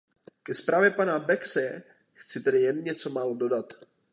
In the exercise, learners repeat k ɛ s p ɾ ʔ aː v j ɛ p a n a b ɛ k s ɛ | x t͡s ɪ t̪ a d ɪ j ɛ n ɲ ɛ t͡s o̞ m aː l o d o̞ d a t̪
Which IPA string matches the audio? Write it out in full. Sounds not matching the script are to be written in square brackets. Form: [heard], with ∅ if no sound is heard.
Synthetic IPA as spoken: k ɛ s p ɾ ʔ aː v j ɛ p a n a b ɛ k s ɛ | x t͡s ɪ t̪ [ɛ] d ɪ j ɛ n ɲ ɛ t͡s o̞ m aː l o d o̞ d a t̪